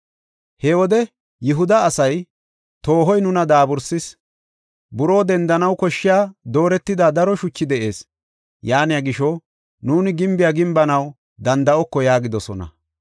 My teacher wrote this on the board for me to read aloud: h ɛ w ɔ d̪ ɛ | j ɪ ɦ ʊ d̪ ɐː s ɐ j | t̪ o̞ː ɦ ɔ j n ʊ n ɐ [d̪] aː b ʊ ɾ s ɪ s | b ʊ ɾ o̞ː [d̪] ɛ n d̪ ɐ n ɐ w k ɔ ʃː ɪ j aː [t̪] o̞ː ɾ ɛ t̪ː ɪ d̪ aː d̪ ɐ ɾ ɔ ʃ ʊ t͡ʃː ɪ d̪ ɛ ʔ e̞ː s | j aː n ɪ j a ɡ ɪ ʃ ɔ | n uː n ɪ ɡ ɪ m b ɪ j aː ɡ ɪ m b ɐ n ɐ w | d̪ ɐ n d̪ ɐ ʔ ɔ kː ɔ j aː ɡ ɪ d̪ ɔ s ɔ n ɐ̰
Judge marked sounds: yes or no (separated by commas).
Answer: yes, yes, no